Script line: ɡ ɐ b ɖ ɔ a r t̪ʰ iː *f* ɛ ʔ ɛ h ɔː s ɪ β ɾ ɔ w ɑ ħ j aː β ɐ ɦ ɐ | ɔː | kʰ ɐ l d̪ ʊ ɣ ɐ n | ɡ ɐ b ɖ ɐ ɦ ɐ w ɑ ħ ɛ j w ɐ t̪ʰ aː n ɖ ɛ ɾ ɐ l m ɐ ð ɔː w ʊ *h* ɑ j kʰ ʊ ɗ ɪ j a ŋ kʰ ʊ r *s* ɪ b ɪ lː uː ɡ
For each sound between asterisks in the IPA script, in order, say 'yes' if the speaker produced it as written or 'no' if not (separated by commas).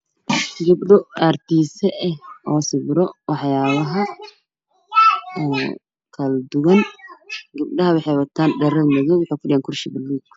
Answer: no, no, no